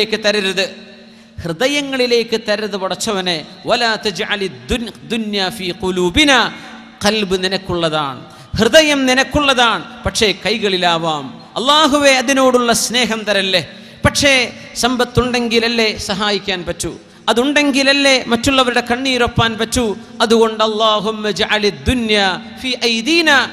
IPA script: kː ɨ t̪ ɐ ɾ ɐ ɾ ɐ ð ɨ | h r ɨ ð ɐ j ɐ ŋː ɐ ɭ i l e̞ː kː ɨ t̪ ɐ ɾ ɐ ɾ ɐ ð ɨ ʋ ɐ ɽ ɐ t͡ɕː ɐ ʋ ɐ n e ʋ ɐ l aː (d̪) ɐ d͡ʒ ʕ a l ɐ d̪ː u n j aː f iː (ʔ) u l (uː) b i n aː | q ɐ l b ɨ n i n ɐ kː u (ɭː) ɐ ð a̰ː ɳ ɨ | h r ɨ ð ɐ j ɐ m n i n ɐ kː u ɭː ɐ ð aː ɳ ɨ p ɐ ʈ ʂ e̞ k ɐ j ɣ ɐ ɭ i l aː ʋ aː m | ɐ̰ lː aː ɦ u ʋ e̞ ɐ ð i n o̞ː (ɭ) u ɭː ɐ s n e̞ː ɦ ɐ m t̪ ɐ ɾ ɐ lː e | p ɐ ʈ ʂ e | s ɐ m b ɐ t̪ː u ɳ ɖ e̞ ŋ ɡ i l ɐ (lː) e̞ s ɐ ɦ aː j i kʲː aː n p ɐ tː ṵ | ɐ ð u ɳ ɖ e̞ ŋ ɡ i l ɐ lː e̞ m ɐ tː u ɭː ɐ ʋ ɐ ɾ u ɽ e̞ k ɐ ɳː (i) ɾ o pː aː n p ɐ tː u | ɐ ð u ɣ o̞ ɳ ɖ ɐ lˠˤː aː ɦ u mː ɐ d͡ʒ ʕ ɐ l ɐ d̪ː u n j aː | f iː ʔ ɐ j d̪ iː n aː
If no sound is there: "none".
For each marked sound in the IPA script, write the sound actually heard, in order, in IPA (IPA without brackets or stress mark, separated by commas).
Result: t̪, q, uː, ɭː, ɽ, lː, iː